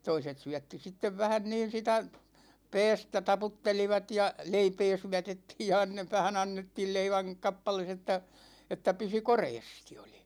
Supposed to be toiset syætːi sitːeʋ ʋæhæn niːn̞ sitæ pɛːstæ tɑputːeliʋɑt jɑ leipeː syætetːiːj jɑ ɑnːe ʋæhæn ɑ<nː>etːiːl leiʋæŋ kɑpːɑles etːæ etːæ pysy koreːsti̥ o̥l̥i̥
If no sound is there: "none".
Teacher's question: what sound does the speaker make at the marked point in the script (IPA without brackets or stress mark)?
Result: nː